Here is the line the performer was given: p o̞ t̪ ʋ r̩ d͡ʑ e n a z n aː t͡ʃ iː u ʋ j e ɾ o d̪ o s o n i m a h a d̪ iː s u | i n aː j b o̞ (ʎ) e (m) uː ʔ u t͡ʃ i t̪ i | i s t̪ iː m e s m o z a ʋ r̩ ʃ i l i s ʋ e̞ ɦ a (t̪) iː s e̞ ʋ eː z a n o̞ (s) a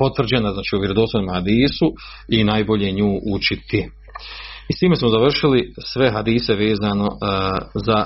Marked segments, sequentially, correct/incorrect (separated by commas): correct, incorrect, incorrect, incorrect